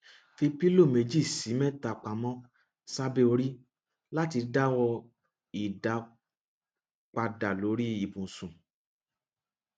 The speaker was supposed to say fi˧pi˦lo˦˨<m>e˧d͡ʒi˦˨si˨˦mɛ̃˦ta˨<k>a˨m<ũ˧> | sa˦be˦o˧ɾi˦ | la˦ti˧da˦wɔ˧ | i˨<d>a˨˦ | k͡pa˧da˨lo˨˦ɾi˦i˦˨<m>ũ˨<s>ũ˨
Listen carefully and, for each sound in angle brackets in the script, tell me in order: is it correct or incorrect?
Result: correct, incorrect: k͡p, incorrect: ɔ̃˧, correct, incorrect: b, correct

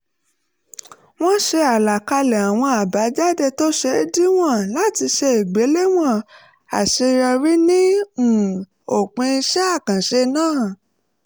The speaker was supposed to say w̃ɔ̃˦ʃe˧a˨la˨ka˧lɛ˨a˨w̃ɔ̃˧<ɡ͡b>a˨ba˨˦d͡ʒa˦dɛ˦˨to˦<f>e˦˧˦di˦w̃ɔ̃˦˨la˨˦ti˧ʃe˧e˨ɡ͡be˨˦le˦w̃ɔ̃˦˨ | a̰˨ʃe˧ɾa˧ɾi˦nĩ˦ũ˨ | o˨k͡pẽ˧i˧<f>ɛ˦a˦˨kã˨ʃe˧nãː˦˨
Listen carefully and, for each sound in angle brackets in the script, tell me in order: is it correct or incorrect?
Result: incorrect: none, incorrect: ʃ, incorrect: ʃ

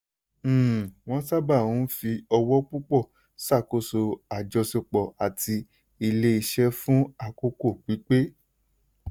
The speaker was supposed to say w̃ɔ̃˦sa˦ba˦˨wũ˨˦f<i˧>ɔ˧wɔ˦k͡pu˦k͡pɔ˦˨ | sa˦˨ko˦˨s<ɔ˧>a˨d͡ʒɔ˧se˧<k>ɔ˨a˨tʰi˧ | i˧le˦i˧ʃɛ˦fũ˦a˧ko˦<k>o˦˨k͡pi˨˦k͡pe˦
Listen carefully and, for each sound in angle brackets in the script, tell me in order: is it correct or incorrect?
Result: correct, incorrect: o˧, incorrect: k͡p, correct

